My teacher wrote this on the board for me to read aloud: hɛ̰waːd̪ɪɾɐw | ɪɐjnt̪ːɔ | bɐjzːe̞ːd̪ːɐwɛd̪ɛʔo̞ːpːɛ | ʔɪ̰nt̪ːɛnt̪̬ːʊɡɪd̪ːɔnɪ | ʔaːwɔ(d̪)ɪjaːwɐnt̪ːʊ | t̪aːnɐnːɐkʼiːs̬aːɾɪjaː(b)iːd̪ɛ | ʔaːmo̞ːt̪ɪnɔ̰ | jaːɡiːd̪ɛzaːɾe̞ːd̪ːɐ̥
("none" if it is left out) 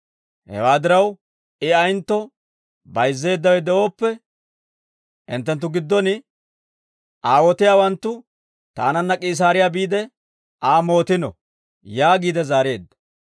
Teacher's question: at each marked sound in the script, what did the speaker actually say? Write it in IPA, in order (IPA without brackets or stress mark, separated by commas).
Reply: t̪, b